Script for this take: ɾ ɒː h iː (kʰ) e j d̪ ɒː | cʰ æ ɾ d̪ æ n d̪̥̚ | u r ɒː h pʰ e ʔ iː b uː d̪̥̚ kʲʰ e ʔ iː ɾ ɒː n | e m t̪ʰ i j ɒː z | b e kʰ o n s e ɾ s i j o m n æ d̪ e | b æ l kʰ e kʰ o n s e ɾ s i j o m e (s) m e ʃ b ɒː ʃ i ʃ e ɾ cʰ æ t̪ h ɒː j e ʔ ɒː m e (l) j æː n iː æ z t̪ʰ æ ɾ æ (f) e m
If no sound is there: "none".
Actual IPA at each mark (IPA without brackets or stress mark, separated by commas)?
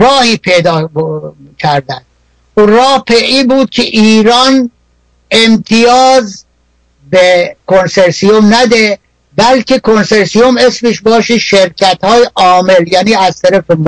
pʰ, s, l, f